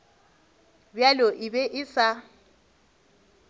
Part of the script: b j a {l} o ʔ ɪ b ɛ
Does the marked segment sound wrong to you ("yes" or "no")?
no